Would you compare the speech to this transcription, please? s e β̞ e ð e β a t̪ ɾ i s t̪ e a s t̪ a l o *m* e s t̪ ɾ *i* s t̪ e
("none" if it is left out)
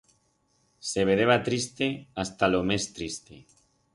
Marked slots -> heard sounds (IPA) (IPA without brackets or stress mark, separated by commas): m, i